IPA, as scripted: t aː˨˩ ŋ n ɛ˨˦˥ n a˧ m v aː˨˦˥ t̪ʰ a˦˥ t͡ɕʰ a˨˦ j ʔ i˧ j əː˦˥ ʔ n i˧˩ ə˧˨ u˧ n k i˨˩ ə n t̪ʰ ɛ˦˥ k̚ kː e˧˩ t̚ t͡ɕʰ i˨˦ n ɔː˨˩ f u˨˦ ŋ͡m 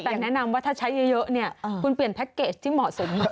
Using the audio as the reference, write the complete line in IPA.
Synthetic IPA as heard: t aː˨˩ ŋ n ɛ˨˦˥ n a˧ m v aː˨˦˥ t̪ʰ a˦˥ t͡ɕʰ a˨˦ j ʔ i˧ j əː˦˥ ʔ n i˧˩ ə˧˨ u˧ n p i˨˩ ə n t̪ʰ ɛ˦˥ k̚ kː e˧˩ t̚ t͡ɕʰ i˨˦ m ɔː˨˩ s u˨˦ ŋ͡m